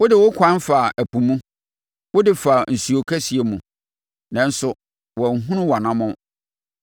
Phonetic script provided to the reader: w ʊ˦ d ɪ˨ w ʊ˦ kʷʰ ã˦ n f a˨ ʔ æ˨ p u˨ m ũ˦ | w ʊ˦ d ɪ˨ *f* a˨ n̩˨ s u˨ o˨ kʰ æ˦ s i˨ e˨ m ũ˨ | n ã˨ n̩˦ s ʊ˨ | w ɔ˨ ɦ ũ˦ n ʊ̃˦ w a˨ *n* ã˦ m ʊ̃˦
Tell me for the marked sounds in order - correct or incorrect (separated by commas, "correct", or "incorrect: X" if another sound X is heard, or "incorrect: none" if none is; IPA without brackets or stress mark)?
correct, correct